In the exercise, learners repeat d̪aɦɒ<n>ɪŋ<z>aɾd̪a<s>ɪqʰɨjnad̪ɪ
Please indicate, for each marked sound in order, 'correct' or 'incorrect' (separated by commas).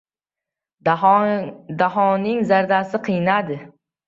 correct, correct, correct